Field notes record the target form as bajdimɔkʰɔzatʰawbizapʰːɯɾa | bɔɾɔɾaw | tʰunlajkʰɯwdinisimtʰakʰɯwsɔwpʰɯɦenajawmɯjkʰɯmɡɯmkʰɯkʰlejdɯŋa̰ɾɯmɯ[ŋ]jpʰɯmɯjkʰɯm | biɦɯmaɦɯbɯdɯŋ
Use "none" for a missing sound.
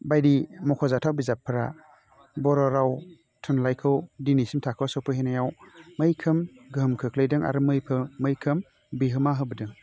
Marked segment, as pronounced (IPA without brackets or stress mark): none